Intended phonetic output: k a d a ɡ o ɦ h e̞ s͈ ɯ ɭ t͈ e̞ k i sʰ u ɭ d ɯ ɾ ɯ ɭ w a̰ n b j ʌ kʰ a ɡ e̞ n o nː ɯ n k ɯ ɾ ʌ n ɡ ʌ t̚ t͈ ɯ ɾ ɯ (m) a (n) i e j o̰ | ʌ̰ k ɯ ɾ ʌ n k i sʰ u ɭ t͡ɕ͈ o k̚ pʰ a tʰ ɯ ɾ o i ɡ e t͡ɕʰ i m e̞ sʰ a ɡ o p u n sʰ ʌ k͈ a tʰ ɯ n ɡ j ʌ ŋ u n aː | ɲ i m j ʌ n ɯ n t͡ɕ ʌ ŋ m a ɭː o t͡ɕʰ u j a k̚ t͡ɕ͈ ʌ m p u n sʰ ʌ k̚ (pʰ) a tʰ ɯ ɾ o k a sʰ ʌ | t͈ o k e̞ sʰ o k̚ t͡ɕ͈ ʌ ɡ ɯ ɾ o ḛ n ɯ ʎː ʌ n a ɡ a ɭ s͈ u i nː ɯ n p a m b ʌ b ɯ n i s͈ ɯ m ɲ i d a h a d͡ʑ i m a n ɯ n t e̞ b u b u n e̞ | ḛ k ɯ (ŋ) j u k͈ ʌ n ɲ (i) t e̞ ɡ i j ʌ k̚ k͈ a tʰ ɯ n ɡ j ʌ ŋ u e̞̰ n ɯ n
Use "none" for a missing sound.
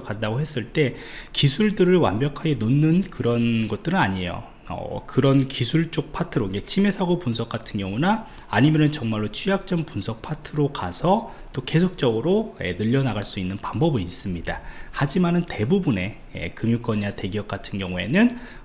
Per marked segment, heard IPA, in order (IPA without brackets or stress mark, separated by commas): n, ɲ, pʰ, m, a